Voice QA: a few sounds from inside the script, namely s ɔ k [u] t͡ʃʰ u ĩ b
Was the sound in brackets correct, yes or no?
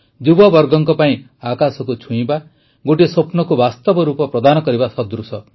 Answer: yes